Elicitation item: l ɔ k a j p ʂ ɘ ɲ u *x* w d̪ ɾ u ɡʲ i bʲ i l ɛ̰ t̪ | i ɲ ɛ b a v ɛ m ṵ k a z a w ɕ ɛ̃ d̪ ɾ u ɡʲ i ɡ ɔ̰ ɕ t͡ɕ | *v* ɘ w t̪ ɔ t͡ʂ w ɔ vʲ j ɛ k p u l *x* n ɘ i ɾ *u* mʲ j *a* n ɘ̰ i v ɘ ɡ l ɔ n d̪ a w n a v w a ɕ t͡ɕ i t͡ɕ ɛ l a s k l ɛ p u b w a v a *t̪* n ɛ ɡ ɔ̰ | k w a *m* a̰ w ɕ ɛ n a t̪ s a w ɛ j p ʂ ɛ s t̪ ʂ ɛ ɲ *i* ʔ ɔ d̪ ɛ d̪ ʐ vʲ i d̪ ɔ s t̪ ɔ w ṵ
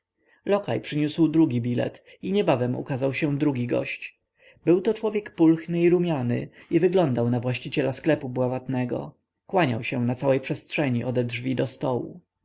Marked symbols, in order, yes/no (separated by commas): no, no, yes, yes, yes, yes, no, yes